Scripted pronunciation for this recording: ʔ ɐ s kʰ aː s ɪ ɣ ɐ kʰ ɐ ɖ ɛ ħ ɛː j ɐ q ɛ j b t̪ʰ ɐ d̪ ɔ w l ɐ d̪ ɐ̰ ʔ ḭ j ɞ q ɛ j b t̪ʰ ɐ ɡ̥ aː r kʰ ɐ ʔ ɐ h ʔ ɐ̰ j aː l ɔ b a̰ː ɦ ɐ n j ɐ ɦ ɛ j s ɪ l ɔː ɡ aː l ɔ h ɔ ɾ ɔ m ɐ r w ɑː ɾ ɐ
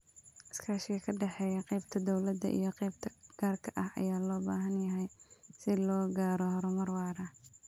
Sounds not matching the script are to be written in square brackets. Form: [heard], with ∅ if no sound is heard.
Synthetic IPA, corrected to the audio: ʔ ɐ s kʰ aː [ʃ] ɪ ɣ ɐ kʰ ɐ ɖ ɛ ħ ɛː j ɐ q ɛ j b t̪ʰ ɐ d̪ ɔ w l ɐ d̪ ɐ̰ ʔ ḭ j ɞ q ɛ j b t̪ʰ ɐ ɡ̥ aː r kʰ ɐ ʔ ɐ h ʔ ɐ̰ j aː l [ɔː] b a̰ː ɦ ɐ n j ɐ ɦ ɛ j s ɪ l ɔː ɡ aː [ɾ] ɔ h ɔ ɾ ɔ m ɐ r w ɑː ɾ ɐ